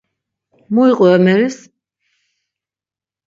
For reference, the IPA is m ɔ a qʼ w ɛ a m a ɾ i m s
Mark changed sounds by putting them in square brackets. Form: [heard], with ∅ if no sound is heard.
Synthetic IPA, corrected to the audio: m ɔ [i] qʼ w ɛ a m [ɛ] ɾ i [∅] s